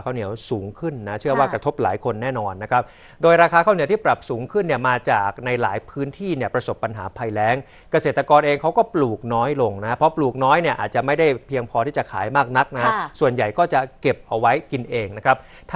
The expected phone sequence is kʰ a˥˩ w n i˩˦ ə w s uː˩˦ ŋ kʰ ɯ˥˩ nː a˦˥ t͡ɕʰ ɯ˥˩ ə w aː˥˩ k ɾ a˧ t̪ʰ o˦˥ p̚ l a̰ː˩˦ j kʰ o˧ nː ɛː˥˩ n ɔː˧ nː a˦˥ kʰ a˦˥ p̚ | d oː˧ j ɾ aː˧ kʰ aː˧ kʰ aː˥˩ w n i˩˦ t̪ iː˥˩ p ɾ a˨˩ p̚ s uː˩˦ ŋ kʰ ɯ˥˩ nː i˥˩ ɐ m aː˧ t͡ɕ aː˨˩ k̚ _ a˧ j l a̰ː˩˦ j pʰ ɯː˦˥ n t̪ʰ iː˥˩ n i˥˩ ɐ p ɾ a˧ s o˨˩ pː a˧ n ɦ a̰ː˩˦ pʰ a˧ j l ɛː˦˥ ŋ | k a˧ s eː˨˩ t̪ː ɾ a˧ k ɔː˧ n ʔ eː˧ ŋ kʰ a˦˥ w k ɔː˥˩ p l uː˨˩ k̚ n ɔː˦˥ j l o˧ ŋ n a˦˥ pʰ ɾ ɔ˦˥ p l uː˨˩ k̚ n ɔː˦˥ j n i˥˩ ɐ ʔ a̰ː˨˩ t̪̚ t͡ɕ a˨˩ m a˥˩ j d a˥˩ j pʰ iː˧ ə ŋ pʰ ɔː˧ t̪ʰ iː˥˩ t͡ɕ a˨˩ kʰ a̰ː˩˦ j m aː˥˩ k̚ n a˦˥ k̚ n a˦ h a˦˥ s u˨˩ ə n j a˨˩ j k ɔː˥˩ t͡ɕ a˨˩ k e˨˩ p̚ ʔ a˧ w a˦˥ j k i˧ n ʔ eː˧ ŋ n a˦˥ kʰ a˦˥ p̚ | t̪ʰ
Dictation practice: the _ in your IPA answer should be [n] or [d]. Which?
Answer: n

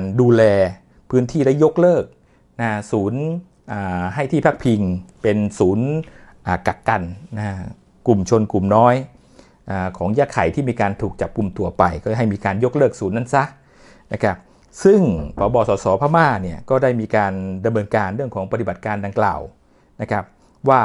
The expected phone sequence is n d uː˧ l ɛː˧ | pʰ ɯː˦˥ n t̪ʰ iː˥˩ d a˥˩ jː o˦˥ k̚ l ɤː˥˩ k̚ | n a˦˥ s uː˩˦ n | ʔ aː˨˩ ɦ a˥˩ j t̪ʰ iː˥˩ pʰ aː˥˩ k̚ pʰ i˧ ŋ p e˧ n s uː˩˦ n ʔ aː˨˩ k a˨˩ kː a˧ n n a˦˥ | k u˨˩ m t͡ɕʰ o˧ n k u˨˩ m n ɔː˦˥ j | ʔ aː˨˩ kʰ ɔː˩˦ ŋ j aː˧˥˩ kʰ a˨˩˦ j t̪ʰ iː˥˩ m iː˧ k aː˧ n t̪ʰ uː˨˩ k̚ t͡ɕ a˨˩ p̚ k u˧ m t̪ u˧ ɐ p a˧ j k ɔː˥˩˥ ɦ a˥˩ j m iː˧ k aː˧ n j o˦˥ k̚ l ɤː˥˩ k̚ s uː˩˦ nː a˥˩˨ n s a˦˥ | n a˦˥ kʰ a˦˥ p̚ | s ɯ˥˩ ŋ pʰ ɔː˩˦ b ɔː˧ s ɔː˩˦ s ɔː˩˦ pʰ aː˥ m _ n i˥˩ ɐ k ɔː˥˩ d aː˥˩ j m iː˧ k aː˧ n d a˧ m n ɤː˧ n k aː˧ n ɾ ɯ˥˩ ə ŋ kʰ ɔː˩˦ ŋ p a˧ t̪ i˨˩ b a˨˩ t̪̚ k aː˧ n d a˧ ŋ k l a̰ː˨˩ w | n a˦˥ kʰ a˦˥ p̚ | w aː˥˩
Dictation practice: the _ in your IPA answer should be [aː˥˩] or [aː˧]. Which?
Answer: aː˥˩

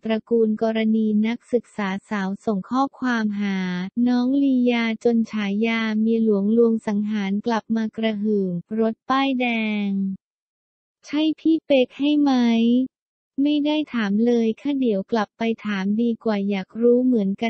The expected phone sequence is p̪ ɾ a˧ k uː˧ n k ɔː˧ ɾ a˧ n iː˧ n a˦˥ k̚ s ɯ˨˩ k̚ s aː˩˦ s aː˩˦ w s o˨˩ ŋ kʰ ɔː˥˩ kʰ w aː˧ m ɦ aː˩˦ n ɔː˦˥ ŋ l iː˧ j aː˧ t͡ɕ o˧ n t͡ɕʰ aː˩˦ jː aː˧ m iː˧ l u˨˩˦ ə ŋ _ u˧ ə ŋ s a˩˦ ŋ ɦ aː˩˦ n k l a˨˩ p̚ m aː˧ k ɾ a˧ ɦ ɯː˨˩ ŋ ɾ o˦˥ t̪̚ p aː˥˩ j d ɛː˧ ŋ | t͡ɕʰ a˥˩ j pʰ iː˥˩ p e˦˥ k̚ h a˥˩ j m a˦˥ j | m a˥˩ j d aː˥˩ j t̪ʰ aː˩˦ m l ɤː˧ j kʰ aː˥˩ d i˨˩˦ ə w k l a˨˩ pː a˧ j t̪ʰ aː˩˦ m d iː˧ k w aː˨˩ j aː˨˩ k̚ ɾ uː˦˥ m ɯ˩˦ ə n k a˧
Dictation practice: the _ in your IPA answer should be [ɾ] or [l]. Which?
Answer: l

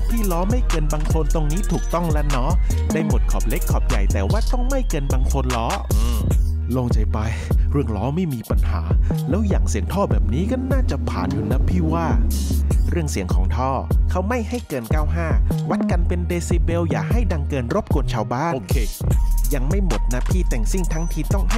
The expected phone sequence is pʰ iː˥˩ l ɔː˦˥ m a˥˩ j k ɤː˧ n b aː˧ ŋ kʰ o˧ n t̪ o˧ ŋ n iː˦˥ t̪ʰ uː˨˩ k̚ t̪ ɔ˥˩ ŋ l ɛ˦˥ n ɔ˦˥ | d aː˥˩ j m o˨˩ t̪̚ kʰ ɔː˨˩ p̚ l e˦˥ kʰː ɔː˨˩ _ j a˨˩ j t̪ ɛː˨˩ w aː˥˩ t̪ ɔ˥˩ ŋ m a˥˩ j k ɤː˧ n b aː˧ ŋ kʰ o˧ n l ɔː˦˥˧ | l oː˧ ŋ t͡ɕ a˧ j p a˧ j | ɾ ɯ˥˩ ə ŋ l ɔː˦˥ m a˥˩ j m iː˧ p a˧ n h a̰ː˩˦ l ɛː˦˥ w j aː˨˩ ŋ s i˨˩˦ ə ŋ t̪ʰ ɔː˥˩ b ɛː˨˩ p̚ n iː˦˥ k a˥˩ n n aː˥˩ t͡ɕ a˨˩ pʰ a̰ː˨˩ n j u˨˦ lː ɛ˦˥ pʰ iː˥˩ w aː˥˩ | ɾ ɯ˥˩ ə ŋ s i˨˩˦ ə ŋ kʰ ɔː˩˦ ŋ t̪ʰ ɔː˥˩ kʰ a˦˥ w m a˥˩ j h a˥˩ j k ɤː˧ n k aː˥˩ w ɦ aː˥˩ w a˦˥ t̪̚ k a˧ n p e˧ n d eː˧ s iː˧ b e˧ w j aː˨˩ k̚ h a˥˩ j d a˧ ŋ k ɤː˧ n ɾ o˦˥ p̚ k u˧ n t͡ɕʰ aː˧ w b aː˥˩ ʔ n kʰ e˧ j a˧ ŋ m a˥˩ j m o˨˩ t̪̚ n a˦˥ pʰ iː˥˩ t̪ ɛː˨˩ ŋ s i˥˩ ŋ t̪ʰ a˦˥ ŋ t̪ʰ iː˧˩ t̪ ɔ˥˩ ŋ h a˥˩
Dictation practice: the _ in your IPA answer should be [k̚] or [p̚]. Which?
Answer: p̚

